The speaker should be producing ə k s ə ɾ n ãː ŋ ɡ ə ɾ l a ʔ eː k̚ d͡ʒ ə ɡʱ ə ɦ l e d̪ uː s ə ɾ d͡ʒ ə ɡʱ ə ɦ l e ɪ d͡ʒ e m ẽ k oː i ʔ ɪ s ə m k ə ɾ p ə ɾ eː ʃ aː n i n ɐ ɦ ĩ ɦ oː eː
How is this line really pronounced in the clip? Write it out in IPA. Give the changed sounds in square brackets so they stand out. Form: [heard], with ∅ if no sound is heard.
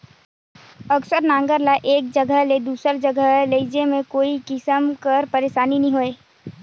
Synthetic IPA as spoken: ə k s ə ɾ n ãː ŋ ɡ ə ɾ l a ʔ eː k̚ d͡ʒ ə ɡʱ ə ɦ l e d̪ uː s ə ɾ d͡ʒ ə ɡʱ ə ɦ l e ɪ d͡ʒ e m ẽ k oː i [k] ɪ s ə m k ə ɾ p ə ɾ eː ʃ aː n i n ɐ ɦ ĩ ɦ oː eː